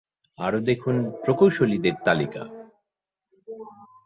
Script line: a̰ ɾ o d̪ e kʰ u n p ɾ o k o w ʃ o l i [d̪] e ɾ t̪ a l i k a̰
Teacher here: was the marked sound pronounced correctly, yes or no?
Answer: yes